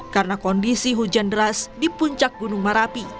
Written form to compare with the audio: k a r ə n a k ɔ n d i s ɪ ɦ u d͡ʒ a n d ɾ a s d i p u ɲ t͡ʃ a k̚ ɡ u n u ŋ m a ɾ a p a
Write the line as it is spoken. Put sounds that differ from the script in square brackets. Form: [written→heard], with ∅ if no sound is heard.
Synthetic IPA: k a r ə n a k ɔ n d i s [ɪ→i] ɦ u d͡ʒ a n d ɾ a s d i p u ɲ t͡ʃ a k̚ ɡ u n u ŋ m a ɾ a p [a→i]